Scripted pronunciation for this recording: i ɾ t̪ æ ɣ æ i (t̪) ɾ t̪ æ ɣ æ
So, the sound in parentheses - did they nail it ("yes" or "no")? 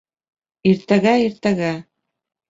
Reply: no